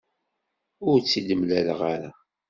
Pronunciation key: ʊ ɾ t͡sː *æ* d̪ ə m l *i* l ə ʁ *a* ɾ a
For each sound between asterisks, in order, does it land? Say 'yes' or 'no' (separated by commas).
no, no, yes